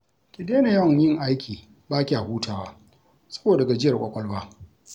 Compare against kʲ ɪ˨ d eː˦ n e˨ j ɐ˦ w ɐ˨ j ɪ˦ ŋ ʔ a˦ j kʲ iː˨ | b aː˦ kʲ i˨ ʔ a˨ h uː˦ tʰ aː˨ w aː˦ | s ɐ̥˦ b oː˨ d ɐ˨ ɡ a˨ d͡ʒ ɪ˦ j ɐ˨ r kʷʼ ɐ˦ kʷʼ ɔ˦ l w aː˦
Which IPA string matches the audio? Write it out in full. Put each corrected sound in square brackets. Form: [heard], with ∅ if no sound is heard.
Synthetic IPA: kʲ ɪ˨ d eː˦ n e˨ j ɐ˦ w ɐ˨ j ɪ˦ ŋ ʔ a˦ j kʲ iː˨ | b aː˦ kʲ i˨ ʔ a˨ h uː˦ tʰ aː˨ w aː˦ | s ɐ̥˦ b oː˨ d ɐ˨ ɡ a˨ d͡ʒ ɪ˦ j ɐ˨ r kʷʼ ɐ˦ kʷʼ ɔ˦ l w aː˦